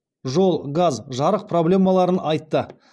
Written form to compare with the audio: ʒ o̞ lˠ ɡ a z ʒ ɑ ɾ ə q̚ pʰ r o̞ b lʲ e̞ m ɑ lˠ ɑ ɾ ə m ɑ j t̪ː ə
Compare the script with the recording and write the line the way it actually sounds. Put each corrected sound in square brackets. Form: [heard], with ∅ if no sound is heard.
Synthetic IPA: ʒ o̞ lˠ ɡ a z ʒ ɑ ɾ ə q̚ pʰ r o̞ b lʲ e̞ m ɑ lˠ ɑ ɾ ə [n] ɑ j t̪ː ə